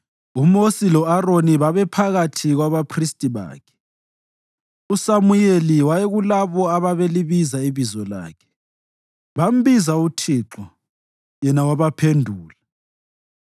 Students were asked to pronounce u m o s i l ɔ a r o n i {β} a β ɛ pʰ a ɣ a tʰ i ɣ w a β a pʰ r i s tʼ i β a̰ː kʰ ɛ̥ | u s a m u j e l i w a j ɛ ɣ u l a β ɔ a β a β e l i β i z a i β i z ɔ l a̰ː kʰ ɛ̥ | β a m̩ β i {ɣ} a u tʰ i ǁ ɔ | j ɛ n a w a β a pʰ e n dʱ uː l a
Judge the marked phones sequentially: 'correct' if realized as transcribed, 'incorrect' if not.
correct, incorrect: z

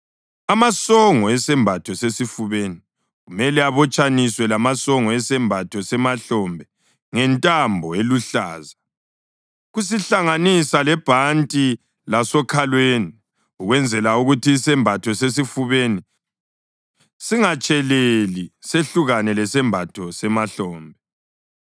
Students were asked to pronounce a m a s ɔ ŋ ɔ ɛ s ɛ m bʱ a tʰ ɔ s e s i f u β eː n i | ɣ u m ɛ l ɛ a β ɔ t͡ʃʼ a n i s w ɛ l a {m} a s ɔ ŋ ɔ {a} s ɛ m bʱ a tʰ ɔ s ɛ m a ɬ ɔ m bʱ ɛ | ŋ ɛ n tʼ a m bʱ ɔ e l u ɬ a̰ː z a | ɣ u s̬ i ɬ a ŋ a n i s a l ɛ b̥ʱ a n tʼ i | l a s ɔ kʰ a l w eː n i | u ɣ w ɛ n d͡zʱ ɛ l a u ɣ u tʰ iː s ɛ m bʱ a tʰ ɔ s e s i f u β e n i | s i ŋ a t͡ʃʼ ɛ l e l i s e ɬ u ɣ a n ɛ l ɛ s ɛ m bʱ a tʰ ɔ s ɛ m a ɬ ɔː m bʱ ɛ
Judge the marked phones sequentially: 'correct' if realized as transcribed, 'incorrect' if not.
correct, incorrect: ɛ

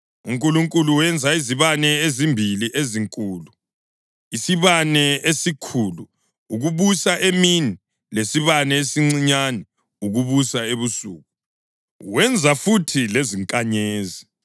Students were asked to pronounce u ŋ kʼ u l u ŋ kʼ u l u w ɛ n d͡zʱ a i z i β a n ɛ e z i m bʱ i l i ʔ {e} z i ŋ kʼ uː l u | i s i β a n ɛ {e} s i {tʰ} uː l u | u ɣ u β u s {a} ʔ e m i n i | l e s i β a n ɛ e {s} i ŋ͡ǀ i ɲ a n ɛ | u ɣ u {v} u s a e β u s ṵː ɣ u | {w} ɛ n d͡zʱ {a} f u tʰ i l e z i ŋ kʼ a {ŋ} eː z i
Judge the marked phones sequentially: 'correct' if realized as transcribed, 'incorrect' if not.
correct, correct, incorrect: kʰ, correct, correct, incorrect: β, correct, correct, incorrect: ɲ

